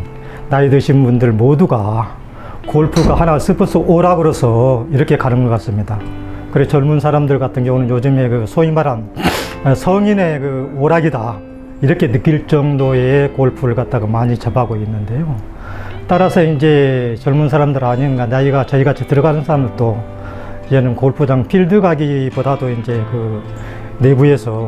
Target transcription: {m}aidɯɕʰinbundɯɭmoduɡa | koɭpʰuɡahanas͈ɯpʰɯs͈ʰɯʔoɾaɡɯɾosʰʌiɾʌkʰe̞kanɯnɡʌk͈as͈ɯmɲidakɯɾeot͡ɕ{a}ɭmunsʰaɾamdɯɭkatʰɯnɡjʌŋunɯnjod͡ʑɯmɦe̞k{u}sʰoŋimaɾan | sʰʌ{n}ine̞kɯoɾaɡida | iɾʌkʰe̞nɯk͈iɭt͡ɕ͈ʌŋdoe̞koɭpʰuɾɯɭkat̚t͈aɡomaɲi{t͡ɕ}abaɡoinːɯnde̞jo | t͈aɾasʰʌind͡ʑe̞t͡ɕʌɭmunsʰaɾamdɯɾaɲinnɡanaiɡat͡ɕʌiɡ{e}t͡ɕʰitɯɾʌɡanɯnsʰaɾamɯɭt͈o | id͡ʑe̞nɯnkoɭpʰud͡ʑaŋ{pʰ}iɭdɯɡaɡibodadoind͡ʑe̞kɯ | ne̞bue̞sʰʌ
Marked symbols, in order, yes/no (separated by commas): no, no, no, no, yes, no, yes